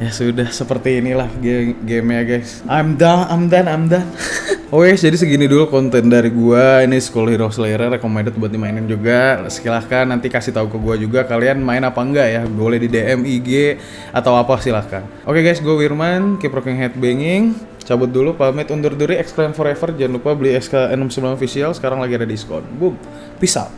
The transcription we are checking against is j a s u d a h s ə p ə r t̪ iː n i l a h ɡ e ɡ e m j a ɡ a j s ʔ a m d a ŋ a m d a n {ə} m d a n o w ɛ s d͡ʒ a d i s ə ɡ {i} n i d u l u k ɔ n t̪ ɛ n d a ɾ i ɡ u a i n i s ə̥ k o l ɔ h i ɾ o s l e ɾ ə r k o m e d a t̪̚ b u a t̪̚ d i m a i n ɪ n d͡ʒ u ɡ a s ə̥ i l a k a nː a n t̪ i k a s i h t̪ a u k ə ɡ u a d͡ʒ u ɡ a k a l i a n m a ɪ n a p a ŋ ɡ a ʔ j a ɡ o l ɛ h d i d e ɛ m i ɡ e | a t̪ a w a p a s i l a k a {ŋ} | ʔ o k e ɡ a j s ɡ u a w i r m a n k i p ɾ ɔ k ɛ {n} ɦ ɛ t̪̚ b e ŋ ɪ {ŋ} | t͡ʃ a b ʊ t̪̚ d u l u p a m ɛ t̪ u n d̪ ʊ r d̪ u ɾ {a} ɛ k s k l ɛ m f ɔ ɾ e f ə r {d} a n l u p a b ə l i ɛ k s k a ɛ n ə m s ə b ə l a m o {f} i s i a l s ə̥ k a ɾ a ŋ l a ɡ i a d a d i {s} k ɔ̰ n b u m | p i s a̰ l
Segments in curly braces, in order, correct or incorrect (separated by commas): incorrect, correct, incorrect, incorrect, correct, incorrect, incorrect, correct, correct